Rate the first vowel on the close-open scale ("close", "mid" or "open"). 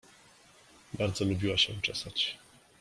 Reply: open